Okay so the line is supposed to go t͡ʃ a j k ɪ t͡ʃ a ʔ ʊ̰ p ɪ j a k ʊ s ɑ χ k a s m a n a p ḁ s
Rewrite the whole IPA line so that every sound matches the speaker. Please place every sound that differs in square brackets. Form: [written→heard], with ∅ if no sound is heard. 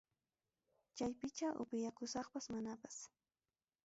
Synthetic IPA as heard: t͡ʃ a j [k→p] ɪ t͡ʃ a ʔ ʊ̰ p ɪ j a k ʊ s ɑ χ [k→p] a s m a n a p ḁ s